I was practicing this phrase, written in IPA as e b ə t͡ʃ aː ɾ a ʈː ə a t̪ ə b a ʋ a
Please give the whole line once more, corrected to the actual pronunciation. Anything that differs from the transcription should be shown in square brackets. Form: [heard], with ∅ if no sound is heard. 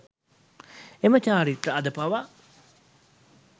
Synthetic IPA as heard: e [m] ə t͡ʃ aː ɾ [i] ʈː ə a [d̪] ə [p] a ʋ a